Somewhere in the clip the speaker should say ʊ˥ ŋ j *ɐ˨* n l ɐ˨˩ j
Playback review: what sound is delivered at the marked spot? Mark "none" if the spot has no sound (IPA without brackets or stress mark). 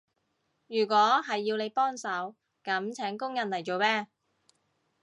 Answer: ɐ˨